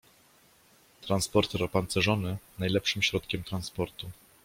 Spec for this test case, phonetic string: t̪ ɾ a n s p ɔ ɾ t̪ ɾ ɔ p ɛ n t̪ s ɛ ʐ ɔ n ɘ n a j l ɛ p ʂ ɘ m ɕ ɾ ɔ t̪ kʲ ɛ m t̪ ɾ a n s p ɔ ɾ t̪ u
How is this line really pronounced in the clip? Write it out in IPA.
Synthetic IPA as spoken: t̪ ɾ a n s p ɔ ɾ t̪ ɾ ɔ p a n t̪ s ɛ ʐ ɔ n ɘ n a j l ɛ p ʂ ɘ m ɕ ɾ ɔ t̪ kʲ ɛ m t̪ ɾ a n s p ɔ ɾ t̪ u